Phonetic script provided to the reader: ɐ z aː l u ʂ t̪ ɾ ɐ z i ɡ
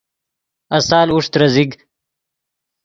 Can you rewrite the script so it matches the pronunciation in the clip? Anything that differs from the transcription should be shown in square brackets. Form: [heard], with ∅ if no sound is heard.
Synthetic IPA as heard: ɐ [s] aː l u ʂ t̪ ɾ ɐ z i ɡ